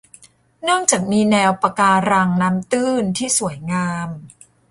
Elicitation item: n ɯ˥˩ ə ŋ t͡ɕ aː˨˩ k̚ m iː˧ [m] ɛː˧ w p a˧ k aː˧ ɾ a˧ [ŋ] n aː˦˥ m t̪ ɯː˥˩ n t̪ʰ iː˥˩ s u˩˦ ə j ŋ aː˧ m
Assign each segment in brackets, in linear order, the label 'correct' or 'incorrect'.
incorrect, correct

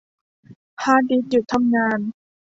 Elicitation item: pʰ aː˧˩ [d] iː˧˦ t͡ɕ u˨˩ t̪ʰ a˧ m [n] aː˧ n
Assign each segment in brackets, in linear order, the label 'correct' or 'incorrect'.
correct, incorrect

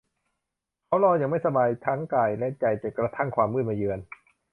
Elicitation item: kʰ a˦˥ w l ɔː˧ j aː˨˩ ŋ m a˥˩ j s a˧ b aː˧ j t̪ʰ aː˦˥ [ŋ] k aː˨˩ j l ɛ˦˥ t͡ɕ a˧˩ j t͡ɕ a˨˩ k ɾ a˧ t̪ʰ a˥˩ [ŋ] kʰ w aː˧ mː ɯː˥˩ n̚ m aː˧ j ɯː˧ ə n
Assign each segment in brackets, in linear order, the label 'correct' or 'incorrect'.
correct, correct

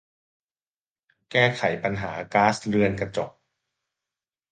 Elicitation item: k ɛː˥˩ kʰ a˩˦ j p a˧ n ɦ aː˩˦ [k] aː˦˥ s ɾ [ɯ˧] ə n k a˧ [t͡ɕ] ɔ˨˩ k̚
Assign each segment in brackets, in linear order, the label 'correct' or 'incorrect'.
correct, correct, correct

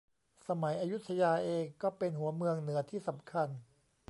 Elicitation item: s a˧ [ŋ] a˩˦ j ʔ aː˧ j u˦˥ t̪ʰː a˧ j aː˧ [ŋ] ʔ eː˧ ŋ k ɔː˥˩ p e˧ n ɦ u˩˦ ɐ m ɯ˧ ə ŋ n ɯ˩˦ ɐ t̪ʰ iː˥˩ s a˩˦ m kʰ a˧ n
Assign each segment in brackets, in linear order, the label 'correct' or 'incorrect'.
incorrect, incorrect

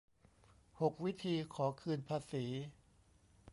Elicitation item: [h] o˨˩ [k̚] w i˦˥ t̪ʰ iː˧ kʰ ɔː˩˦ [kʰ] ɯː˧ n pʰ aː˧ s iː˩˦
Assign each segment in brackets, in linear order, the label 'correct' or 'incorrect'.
correct, correct, correct

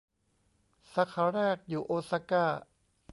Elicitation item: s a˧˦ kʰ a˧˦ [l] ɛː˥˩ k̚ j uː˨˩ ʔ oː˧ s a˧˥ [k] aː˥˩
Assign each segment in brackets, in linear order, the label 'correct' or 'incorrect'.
incorrect, correct

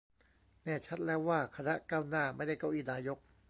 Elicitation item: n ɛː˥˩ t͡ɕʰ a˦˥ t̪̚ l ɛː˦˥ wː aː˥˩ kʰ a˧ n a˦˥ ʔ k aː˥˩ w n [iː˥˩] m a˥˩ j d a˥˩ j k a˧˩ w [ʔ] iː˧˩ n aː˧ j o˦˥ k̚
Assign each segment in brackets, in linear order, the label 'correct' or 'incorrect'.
incorrect, correct

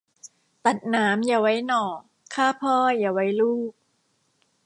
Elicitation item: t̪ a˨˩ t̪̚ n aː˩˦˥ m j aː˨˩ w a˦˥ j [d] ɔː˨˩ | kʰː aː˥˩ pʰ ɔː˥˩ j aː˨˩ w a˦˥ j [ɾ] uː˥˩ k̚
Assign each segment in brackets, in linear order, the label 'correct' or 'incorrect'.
incorrect, incorrect

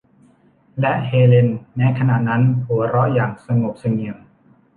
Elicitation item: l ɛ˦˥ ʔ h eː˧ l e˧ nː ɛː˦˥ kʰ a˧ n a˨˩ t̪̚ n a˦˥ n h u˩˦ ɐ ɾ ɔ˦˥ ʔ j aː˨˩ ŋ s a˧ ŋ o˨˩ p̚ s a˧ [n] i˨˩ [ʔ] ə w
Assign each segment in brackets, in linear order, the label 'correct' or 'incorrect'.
incorrect, incorrect

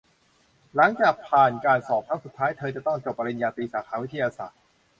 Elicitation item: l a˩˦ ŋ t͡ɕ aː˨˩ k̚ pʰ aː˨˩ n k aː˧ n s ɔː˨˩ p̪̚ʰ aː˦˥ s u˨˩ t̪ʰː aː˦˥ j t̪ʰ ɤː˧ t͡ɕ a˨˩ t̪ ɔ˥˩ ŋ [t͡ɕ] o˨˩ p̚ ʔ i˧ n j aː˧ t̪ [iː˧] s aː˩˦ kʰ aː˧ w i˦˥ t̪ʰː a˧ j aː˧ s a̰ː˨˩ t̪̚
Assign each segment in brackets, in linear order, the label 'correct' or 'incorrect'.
correct, correct

